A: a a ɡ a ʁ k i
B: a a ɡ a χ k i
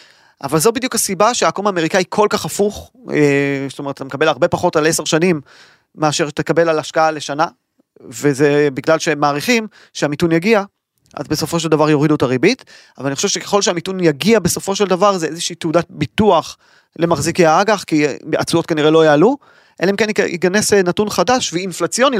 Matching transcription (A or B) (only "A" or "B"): B